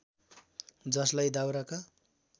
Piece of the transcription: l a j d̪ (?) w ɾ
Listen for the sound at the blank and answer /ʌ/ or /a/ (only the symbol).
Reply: a